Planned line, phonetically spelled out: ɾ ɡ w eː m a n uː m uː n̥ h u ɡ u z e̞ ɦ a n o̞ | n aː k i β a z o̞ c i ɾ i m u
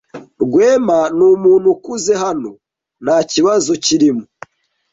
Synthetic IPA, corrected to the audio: ɾ ɡ w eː m a n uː m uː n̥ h u k u z e̞ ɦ a n o̞ | n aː c i β a z o̞ c i ɾ i m u